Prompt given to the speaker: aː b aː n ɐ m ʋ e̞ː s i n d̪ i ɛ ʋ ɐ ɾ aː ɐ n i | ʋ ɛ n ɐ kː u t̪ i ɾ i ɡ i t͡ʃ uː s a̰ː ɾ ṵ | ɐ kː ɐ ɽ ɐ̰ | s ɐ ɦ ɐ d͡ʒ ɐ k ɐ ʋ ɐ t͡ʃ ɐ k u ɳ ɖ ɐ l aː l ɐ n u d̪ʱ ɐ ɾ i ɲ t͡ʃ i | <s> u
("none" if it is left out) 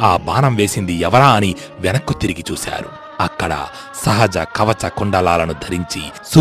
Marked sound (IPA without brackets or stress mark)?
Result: s